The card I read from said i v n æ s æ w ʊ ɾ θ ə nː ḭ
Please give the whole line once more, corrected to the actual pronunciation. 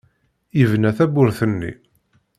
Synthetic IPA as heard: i v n æ θ æ b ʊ ɾ θ ə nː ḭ